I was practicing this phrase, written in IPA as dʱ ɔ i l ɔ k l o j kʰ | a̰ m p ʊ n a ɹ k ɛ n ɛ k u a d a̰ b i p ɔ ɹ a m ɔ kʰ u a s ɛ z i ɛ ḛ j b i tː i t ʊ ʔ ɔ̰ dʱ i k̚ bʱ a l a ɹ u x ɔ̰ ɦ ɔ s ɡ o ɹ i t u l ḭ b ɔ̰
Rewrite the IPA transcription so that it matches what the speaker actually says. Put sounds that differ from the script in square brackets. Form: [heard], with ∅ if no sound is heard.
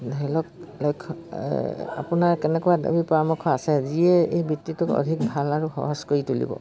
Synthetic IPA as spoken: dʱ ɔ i l ɔ k l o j kʰ | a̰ [∅] p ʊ n a ɹ k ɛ n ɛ k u a d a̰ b i p ɔ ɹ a m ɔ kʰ [ɔ] a s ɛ z i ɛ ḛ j b i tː i t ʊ [k] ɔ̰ dʱ i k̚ bʱ a l a ɹ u x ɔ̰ ɦ ɔ s [k] o ɹ i t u l ḭ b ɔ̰